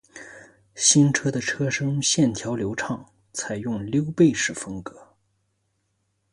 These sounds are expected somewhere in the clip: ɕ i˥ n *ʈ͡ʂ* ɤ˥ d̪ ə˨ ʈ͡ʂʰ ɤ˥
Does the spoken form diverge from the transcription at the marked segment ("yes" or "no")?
yes